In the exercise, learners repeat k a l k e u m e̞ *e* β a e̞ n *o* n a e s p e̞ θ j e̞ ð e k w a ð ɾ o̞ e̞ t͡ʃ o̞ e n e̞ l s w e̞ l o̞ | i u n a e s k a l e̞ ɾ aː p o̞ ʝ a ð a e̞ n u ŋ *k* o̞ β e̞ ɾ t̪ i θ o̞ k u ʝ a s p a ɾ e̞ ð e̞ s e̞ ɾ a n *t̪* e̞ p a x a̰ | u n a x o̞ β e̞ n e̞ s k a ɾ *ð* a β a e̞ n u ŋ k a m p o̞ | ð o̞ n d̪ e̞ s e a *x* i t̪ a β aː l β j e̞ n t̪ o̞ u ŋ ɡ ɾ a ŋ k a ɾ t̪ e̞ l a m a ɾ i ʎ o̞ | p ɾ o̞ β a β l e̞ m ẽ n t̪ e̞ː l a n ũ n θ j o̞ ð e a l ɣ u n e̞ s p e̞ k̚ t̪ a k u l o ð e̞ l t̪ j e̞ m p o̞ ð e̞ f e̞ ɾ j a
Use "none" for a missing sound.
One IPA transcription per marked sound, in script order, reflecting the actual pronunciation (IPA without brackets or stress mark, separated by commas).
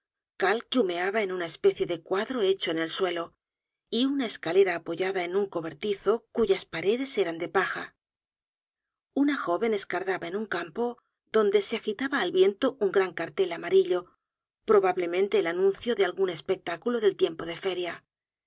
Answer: a, u, k, d̪, ð, x